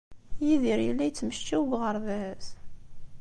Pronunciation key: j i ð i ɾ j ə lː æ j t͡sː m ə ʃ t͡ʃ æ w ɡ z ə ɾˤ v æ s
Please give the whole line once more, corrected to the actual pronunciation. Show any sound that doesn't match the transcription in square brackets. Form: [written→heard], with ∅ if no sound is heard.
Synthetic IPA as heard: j i ð i ɾ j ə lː æ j t͡sː m ə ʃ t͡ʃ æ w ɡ [z→ʁ] ə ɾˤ [v→ð] æ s